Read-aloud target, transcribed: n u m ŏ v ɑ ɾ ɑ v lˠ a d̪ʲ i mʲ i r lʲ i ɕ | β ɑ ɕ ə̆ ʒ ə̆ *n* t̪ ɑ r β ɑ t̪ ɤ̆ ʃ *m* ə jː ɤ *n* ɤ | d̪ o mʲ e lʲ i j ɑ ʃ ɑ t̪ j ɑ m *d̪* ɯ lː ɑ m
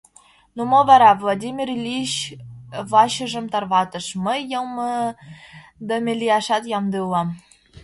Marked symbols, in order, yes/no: no, yes, no, yes

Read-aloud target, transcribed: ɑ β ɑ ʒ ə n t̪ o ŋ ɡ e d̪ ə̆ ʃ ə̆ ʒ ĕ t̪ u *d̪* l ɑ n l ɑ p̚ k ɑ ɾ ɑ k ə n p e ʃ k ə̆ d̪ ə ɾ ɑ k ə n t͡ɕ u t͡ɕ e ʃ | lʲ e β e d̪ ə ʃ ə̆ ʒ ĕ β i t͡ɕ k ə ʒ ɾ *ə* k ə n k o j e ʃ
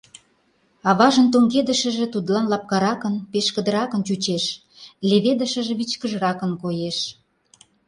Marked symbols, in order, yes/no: yes, no

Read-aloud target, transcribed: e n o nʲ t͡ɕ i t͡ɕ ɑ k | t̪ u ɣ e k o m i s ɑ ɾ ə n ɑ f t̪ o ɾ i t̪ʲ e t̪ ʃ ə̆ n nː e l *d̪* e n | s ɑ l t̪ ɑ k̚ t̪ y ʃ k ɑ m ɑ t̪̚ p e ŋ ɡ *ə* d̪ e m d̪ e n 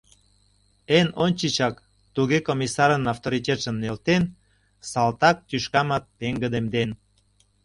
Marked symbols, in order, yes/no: no, yes

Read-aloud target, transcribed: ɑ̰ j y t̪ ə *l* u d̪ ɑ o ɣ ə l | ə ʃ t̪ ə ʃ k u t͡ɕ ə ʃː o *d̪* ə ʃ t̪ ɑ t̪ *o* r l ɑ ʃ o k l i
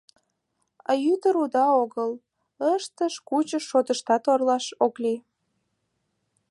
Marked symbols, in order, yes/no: no, no, yes

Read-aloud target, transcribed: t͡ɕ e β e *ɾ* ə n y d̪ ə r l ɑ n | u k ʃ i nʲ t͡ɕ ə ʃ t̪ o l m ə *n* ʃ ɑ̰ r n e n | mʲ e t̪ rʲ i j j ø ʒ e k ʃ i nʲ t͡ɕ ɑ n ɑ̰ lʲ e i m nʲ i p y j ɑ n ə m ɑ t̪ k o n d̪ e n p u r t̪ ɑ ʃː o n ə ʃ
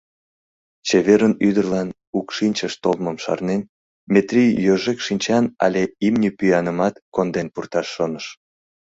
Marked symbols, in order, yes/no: yes, no

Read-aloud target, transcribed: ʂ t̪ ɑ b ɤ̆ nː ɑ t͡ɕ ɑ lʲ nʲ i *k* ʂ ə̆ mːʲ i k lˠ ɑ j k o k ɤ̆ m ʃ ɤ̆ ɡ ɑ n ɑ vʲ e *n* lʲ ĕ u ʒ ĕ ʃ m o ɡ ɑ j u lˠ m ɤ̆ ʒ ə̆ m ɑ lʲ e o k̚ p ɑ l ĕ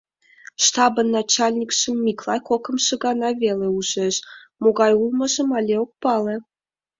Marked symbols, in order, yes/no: yes, no

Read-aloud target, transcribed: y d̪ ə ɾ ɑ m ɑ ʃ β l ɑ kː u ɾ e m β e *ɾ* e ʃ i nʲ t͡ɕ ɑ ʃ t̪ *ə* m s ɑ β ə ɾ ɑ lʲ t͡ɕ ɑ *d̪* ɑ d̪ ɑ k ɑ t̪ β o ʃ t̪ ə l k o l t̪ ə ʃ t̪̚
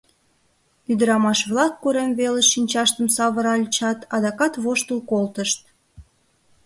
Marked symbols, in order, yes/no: no, yes, no

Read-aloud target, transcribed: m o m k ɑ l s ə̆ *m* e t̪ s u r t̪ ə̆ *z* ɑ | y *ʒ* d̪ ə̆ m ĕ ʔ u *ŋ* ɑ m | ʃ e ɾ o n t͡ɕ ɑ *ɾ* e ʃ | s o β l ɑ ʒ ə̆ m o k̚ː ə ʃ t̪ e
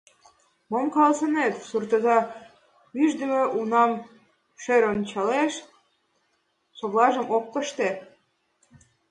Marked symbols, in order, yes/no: no, yes, yes, no, no

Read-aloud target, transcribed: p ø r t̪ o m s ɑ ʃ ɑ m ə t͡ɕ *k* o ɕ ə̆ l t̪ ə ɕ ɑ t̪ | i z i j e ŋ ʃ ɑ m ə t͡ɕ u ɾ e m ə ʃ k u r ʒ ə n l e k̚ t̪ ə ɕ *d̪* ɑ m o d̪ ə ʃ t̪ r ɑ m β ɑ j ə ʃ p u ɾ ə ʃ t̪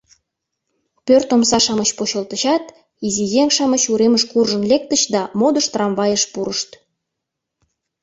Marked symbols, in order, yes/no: no, yes

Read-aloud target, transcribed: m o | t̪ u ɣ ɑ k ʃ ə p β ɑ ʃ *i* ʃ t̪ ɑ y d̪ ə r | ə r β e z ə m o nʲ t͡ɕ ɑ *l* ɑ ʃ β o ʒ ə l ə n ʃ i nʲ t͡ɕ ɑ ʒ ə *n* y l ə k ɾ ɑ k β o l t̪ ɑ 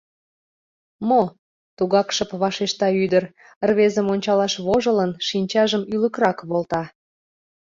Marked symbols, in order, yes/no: no, yes, no

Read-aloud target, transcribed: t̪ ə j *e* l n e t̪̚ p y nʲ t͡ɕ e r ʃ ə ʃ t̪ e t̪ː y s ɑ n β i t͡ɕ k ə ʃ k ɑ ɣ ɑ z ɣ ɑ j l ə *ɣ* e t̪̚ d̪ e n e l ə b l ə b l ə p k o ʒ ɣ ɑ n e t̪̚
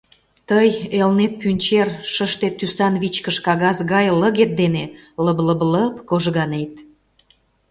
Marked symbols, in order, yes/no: yes, yes

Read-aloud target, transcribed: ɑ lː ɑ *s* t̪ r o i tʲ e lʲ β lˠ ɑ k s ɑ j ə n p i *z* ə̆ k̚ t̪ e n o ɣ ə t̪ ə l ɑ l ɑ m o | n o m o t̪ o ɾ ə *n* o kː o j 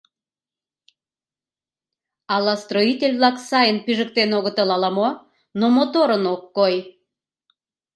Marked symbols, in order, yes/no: yes, no, yes

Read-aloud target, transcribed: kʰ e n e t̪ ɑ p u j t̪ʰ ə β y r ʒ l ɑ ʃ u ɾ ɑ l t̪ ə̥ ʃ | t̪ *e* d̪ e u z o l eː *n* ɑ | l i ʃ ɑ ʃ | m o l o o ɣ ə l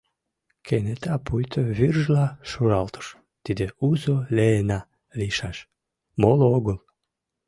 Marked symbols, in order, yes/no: no, yes

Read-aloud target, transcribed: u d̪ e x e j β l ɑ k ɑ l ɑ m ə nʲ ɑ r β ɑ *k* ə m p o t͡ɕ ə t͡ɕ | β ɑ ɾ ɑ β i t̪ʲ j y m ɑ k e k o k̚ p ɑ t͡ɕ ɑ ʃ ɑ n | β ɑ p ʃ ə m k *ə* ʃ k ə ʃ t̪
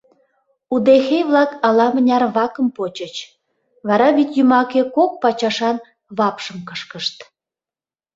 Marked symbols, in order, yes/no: yes, yes

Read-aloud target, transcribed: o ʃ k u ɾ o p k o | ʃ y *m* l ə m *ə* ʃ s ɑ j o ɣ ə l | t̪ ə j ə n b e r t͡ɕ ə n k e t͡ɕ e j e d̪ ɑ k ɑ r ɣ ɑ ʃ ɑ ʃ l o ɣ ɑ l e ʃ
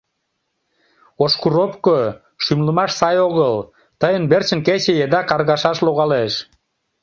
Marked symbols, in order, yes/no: yes, no

